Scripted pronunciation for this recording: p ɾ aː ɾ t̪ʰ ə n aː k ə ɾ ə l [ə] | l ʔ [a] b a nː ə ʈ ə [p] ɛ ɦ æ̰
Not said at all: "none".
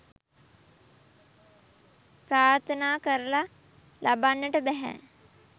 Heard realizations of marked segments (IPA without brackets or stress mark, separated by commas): a, a, b